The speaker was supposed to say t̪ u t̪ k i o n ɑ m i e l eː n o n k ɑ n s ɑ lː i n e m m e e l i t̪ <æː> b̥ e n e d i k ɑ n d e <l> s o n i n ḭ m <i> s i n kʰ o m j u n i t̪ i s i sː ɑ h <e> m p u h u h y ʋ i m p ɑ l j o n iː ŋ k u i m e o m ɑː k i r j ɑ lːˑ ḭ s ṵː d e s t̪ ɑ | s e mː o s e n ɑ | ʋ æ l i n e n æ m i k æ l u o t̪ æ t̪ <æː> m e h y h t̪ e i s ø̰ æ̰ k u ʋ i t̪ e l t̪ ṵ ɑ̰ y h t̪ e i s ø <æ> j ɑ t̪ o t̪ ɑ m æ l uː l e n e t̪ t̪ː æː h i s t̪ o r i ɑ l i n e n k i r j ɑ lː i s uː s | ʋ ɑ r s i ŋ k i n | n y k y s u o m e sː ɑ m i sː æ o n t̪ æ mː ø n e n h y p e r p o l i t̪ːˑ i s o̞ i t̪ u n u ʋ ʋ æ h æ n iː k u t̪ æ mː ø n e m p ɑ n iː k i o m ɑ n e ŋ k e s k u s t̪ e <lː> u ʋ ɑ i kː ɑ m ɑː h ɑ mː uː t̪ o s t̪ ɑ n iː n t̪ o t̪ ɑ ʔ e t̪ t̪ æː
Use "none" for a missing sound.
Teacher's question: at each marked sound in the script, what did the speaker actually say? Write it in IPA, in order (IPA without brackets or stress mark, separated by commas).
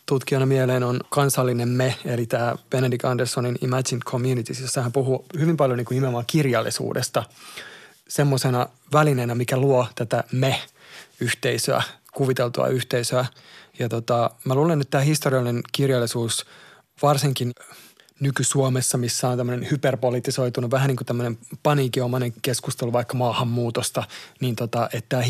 æː, r, æ, æ, æ, æ, l